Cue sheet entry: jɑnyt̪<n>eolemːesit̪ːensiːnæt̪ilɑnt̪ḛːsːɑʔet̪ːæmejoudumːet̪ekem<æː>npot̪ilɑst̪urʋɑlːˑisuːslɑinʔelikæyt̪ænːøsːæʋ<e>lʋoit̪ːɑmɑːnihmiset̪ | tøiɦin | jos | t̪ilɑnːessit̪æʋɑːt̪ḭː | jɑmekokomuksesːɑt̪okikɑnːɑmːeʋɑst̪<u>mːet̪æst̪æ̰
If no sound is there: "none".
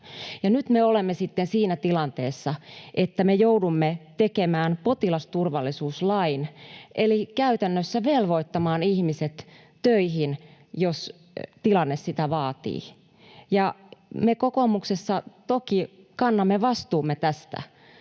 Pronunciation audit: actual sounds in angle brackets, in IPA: m, æː, e, uː

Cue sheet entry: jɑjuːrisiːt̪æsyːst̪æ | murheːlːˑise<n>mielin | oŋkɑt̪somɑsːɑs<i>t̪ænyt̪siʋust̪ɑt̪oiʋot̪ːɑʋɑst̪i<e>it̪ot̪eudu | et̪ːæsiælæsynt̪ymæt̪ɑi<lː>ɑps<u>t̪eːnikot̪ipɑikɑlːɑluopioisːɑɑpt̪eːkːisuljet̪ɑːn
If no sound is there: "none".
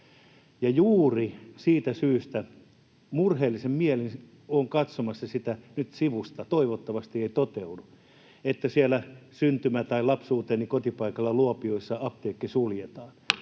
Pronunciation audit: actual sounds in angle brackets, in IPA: m, i, e, l, uː

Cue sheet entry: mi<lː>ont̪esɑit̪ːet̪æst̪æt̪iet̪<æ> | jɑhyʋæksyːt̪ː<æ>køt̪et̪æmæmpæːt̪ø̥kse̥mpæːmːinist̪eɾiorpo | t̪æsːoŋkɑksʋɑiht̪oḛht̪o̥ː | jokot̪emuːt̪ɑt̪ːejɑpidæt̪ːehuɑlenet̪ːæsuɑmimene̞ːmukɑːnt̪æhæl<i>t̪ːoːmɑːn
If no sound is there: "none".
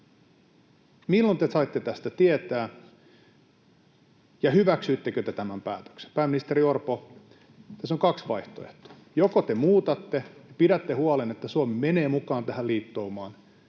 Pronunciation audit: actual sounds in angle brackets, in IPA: lː, æː, e, iː

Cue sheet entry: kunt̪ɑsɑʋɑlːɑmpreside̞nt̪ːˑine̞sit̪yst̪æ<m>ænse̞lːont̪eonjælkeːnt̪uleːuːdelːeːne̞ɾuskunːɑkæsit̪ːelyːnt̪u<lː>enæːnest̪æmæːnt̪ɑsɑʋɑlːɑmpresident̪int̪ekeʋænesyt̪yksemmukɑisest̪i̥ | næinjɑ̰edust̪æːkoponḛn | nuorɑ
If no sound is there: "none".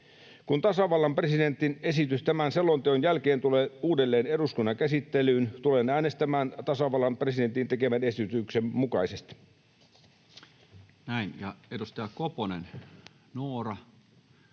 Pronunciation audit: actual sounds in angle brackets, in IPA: m, l

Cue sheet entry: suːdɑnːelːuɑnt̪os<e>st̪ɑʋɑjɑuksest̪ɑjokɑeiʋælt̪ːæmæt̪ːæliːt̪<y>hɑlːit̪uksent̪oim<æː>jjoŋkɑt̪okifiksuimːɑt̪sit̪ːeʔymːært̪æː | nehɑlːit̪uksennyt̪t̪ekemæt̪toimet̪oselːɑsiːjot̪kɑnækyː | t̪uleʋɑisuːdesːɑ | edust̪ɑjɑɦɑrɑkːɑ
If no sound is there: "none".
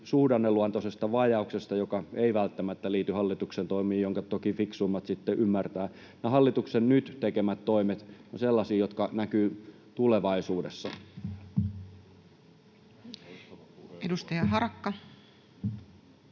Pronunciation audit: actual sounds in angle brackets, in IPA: e, y, iː

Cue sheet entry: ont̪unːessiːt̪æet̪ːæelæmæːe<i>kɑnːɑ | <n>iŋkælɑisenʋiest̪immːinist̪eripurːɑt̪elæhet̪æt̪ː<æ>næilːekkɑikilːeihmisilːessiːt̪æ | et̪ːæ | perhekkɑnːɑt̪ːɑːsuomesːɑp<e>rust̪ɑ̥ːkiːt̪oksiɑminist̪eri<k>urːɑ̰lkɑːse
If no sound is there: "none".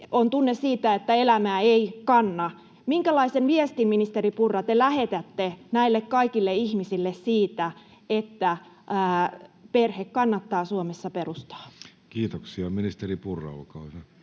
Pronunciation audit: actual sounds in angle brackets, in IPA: i, m, e, e, p

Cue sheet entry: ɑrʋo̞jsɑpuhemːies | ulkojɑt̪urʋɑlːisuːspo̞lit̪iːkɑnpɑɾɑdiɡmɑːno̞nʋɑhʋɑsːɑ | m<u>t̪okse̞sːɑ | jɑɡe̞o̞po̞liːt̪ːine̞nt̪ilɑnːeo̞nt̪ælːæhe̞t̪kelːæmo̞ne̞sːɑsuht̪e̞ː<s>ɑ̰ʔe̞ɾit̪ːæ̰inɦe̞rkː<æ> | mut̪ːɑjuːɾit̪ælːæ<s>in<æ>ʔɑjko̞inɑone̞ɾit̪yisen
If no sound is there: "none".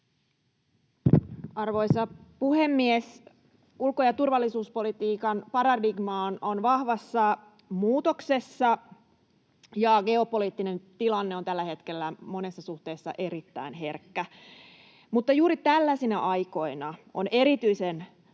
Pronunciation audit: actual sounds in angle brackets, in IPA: uː, sː, æ, s, æ

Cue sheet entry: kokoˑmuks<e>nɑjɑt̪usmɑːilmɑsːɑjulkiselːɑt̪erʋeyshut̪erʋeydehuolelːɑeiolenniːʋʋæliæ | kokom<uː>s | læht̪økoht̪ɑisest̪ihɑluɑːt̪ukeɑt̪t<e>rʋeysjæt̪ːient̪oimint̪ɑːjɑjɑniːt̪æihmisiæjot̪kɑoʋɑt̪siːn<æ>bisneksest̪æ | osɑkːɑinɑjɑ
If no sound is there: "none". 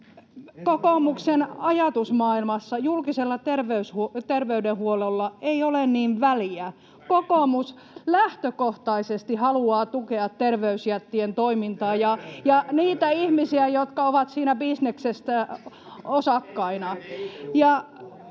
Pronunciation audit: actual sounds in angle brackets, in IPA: e, u, e, æ

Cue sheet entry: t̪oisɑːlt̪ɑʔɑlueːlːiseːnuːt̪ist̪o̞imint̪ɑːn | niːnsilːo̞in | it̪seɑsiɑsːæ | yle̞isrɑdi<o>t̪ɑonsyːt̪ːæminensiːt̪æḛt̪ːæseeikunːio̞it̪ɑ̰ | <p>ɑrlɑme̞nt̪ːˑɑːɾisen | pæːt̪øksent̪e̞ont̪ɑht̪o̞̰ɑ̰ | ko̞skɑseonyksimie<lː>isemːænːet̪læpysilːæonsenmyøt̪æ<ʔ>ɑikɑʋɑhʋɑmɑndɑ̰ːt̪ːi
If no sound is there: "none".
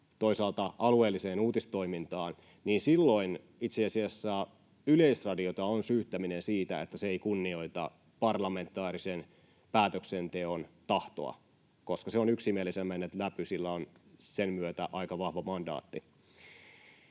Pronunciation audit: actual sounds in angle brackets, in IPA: o, p, l, ʔ

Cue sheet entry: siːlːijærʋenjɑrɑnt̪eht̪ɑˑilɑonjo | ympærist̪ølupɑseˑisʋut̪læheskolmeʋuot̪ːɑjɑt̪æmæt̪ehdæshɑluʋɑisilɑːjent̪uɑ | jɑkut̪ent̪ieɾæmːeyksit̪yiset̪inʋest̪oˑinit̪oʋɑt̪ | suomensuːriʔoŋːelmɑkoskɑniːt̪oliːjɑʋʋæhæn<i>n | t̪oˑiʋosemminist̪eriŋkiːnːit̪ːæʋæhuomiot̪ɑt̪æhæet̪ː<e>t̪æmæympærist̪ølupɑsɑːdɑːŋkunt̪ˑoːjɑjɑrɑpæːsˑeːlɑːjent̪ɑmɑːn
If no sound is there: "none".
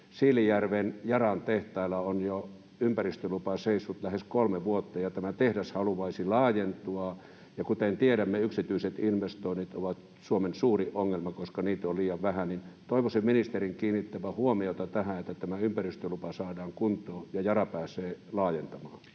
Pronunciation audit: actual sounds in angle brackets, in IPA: i, æ

